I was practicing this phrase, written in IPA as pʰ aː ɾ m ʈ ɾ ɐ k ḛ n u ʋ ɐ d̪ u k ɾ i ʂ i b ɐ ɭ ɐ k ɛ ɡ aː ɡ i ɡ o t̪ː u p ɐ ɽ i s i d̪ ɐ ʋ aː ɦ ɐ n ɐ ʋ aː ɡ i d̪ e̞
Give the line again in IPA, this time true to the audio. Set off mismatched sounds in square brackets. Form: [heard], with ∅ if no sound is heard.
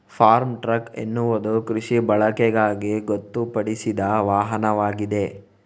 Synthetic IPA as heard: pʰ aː ɾ m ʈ ɾ ɐ k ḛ [nː] u ʋ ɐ d̪ u k ɾ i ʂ i b ɐ ɭ ɐ k ɛ ɡ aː ɡ i ɡ o t̪ː u p ɐ ɽ i s i d̪ ɐ ʋ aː ɦ ɐ n ɐ ʋ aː ɡ i d̪ e̞